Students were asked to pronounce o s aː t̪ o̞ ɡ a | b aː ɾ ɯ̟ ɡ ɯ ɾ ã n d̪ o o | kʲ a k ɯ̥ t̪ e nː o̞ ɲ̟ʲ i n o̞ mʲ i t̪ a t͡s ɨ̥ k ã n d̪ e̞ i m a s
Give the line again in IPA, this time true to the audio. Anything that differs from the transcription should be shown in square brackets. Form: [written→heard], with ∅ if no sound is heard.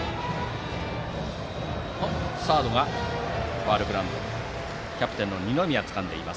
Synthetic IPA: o s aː [t̪→d̪] o̞ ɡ a | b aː ɾ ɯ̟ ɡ ɯ ɾ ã n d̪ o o | kʲ a [k→p] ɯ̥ t̪ e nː o̞ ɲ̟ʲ i n o̞ mʲ i [t̪→∅] a t͡s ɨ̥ k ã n d̪ e̞ i m a s